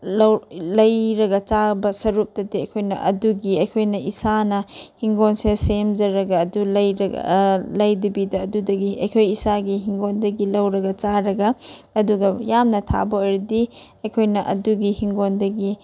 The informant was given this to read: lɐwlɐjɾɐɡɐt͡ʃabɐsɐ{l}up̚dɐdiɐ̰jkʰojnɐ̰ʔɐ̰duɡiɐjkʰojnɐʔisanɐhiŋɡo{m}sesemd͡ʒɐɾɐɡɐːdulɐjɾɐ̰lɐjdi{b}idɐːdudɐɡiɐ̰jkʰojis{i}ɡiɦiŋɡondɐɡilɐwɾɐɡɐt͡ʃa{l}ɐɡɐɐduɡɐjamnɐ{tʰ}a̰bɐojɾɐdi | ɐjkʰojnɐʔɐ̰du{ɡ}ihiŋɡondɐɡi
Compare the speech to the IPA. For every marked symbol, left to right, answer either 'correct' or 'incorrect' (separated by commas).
incorrect, incorrect, correct, incorrect, incorrect, correct, correct